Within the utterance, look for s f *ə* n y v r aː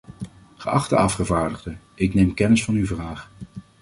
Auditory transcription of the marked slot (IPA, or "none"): ɑ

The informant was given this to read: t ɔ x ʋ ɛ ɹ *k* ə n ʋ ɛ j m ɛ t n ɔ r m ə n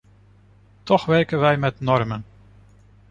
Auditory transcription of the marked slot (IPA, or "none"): k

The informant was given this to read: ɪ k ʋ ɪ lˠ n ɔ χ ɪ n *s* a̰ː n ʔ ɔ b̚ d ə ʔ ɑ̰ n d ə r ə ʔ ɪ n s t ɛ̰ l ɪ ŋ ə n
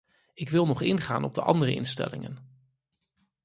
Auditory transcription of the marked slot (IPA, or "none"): χ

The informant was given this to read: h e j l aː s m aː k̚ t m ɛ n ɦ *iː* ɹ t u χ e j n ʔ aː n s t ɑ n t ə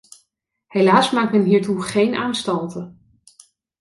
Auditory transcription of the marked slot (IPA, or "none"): iː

